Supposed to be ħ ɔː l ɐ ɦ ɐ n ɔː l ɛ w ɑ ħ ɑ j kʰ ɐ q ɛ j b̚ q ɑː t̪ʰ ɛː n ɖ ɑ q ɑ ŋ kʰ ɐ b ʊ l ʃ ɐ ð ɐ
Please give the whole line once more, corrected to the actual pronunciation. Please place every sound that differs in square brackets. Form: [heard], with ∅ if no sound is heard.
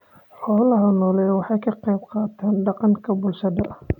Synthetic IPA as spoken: ħ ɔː l ɐ ɦ ɐ n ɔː l ɛ w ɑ ħ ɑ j kʰ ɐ q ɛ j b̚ q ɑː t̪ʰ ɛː n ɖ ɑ q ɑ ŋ kʰ ɐ b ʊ l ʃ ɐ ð ɐ

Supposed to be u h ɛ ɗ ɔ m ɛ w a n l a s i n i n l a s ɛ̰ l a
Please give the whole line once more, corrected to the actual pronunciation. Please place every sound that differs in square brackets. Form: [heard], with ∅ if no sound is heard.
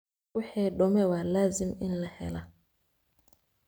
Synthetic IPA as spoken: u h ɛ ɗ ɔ m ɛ w a [∅] l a [z] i [m] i n l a [h] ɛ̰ l a

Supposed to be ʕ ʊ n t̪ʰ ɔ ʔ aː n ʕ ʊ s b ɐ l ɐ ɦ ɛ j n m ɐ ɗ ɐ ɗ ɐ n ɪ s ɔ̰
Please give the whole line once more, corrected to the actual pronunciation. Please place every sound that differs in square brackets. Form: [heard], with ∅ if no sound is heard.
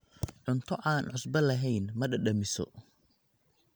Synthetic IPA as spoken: ʕ ʊ n t̪ʰ ɔ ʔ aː n ʕ ʊ s b ɐ l ɐ ɦ ɛ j n m ɐ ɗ ɐ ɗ ɐ [m] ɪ s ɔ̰

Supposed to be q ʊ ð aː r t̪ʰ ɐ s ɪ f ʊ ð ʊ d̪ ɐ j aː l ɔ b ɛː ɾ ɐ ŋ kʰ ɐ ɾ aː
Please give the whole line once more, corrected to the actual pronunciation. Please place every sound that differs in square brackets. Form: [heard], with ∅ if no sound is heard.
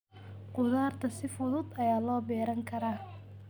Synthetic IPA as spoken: q ʊ ð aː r t̪ʰ ɐ s ɪ f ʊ ð ʊ d̪ ɐ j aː l [ɔː] b ɛː ɾ ɐ ŋ kʰ ɐ ɾ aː

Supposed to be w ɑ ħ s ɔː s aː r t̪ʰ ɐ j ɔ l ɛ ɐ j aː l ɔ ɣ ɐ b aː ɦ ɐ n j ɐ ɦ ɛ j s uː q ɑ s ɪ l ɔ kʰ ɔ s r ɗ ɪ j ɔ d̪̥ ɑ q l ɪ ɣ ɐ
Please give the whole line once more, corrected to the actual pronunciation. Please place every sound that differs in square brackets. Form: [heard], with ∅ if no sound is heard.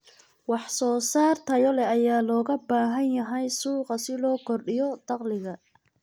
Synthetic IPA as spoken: w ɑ ħ s ɔː s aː r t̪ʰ ɐ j ɔ l ɛ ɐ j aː l [ɔː] ɣ ɐ b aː ɦ ɐ n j ɐ ɦ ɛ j s uː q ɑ s ɪ l [ɔː] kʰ ɔ [∅] r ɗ ɪ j ɔ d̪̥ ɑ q l ɪ ɣ ɐ

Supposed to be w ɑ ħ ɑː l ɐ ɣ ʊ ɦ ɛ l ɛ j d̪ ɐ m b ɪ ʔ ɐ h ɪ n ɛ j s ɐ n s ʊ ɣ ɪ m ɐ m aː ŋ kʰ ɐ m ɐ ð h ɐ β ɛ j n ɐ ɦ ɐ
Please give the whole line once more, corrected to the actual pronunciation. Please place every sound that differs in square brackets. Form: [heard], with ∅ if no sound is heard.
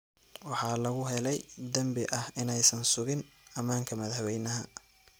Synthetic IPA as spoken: w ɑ ħ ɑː l ɐ ɣ ʊ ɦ ɛ l ɛ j d̪ ɐ m b ɪ ʔ ɐ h ɪ n ɛ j s ɐ n s ʊ ɣ ɪ [n] ɐ m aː ŋ kʰ ɐ m ɐ ð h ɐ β ɛ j n ɐ ɦ ɐ

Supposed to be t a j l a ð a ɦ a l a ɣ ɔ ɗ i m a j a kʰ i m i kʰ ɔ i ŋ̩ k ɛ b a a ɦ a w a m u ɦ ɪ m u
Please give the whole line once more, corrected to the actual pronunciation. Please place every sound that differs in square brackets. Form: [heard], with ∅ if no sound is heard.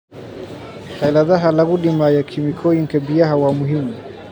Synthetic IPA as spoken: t a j l a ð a ɦ a l a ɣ [u] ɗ i m a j a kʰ i m i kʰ ɔ i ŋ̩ k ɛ b [i] a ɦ a w a m u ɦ [i] m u

